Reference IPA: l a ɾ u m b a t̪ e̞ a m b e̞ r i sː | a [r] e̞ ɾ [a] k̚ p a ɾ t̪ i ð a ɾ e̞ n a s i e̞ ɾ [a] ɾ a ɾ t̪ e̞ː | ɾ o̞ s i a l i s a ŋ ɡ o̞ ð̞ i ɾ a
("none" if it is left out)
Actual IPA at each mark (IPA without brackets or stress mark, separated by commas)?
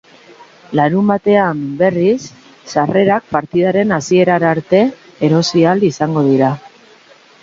r, a, a